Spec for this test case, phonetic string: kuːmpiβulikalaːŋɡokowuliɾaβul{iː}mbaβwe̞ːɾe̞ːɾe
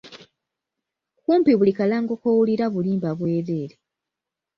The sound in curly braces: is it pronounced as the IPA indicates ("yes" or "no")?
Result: yes